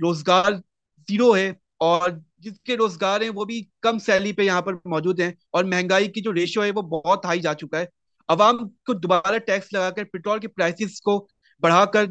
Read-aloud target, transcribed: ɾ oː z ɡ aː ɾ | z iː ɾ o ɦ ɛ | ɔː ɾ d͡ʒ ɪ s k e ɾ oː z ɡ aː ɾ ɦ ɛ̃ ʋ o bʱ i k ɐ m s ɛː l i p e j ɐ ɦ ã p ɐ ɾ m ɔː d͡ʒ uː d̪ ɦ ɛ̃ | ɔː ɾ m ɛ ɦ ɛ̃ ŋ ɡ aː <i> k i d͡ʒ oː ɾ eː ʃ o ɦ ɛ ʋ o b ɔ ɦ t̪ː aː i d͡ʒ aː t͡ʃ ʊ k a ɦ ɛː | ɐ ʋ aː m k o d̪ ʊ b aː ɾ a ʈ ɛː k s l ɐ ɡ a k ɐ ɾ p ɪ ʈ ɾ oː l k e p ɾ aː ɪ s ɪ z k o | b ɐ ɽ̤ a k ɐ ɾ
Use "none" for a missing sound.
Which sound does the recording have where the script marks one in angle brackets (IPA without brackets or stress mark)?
i